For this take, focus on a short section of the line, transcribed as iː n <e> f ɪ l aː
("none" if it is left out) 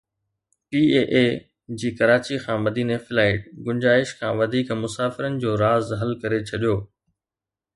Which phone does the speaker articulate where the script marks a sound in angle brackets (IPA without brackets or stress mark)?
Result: e